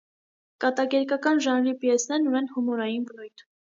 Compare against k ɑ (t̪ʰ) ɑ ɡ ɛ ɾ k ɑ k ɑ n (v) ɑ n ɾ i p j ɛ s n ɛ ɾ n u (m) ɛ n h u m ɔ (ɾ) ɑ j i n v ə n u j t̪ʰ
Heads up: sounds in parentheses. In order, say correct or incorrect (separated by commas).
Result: incorrect, incorrect, incorrect, correct